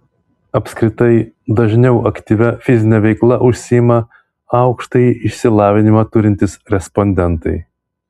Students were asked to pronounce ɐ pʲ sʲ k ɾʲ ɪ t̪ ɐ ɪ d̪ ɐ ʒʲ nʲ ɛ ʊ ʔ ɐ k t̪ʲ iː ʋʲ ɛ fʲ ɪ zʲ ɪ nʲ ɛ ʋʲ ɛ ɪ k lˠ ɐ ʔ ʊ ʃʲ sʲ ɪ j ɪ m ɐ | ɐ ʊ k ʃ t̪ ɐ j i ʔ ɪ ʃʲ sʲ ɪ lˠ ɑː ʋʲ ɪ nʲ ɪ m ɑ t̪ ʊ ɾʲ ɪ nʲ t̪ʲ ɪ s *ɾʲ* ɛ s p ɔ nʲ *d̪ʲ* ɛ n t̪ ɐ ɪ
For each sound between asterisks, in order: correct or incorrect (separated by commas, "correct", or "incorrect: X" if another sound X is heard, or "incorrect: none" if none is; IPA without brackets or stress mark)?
correct, correct